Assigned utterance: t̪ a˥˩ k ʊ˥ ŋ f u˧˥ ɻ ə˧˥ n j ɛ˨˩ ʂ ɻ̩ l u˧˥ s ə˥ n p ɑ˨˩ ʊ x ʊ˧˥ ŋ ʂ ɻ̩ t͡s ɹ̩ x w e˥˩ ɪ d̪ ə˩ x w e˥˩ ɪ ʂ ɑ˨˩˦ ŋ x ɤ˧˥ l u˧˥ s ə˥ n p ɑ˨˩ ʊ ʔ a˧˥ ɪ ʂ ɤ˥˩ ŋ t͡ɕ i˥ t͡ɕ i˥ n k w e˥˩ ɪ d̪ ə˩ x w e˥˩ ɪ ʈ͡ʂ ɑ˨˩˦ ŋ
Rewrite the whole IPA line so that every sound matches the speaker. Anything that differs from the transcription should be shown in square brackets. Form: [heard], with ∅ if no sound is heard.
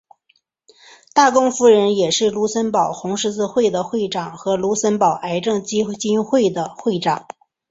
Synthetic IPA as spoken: t̪ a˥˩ k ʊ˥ ŋ f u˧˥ ɻ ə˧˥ n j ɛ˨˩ ʂ ɻ̩ l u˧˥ s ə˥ n p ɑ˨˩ ʊ x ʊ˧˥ ŋ ʂ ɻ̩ t͡s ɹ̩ x w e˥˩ ɪ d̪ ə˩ x w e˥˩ ɪ [ʈ͡ʂ] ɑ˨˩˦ ŋ x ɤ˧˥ l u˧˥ s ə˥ n p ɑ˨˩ ʊ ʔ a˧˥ ɪ [ʈ͡ʂ] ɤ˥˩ ŋ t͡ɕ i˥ t͡ɕ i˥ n [x] w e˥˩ ɪ d̪ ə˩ x w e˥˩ ɪ ʈ͡ʂ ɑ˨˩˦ ŋ